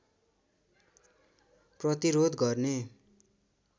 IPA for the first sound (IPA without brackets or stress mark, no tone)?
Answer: p